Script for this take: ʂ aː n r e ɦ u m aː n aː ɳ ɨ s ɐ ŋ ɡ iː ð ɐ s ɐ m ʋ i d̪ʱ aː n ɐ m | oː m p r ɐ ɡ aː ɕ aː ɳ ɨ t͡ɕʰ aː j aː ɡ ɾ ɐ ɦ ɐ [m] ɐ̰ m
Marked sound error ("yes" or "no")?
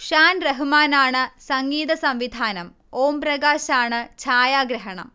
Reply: yes